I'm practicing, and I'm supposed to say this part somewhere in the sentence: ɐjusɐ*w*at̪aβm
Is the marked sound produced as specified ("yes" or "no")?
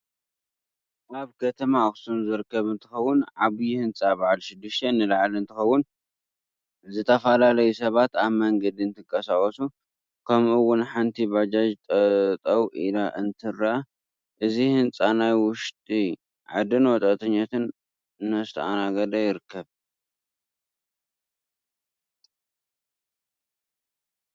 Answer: no